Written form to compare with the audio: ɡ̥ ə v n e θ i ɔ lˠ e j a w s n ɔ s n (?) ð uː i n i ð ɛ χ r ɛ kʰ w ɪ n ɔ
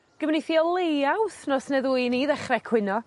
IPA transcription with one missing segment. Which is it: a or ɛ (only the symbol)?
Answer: ɛ